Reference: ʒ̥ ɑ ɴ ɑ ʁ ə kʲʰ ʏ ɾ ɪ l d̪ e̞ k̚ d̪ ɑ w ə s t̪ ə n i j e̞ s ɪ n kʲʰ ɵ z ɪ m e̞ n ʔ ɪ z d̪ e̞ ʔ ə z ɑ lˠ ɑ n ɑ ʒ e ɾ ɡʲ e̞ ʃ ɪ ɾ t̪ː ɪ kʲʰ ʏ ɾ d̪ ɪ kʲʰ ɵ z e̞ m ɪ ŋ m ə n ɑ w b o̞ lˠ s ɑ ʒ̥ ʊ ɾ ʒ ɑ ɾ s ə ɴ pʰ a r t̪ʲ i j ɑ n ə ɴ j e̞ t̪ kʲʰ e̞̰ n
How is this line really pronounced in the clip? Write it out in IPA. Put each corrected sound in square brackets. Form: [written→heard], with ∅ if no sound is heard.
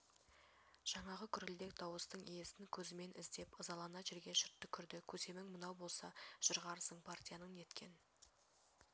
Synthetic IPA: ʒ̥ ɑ ɴ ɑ ʁ ə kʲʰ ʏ ɾ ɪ l d̪ e̞ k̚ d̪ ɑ w ə s t̪ ə [n→ɴ] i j e̞ s ɪ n kʲʰ ɵ z ɪ m e̞ n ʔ ɪ z d̪ e̞ [ʔ→p] ə z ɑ lˠ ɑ n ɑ ʒ e ɾ ɡʲ e̞ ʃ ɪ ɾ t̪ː ɪ kʲʰ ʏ ɾ d̪ ɪ kʲʰ ɵ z e̞ m ɪ ŋ m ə n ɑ w b o̞ lˠ s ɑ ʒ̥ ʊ ɾ [ʒ→ʁ] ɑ ɾ s ə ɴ pʰ a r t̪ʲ i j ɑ n ə ɴ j e̞ t̪ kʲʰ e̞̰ n